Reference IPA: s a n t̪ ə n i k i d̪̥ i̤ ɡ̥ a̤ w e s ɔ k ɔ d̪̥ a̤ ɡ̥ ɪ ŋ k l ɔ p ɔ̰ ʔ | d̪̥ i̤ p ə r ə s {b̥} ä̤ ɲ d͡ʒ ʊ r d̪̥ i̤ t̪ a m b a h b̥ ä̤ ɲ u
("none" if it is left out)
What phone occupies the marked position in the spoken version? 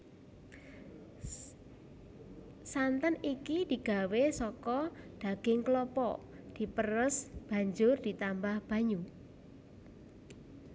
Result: b̥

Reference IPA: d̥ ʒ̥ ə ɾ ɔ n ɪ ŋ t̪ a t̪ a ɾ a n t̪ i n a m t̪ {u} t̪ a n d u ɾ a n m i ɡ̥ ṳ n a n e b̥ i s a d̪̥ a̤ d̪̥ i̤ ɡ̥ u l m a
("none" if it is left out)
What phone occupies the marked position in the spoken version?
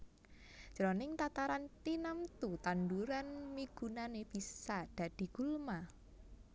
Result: u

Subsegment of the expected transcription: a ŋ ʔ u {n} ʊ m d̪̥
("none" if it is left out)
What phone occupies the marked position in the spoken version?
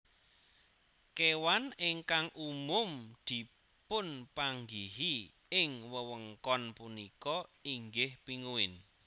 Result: m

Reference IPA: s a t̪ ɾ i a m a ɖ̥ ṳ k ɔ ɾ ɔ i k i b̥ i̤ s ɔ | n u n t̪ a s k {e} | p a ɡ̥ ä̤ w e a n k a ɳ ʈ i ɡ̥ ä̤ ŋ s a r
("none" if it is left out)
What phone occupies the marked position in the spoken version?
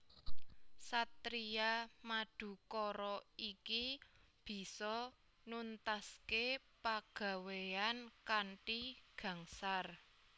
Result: e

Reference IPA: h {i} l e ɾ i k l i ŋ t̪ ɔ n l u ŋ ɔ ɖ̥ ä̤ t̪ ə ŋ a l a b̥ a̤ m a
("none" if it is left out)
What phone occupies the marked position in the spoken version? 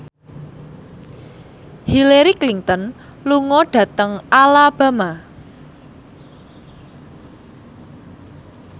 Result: i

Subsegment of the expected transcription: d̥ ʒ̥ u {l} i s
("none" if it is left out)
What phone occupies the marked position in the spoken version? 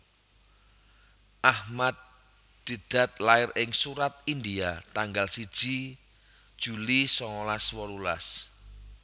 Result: l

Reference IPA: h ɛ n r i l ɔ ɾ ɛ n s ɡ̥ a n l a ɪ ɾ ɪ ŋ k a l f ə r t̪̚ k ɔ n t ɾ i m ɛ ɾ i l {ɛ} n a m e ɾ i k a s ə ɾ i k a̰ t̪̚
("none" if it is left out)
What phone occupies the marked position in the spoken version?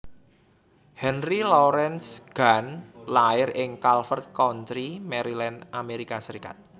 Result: ɛ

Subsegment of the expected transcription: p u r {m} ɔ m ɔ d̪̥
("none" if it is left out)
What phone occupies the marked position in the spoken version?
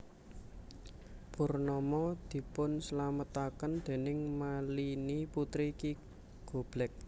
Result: n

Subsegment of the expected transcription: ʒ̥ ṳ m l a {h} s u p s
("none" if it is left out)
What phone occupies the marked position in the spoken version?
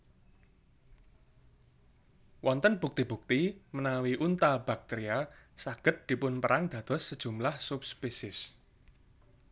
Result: h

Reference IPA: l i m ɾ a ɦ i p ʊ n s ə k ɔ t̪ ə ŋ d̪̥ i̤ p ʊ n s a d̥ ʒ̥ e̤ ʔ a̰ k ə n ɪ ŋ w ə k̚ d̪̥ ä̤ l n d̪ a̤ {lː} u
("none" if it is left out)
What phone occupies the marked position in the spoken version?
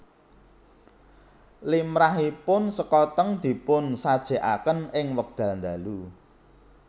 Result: l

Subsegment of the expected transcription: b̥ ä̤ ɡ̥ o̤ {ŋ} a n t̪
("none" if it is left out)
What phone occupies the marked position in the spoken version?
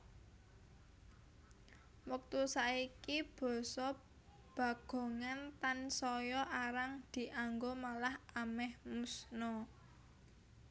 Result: ŋ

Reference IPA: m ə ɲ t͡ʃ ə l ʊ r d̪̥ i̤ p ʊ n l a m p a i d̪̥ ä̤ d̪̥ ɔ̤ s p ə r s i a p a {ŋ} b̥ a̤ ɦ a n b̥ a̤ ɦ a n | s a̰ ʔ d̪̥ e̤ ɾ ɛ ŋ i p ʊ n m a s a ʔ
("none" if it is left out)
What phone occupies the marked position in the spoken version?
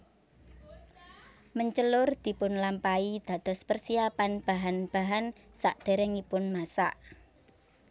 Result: n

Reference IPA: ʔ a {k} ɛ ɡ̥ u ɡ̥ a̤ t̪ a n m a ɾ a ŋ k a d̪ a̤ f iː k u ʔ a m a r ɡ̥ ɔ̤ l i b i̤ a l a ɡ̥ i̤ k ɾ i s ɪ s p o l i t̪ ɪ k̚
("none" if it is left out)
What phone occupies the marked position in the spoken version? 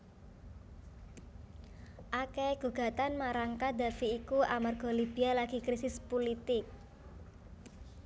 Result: k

